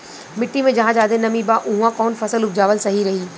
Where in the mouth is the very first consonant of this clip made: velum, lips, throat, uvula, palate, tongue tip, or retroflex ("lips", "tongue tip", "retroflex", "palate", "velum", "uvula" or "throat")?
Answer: lips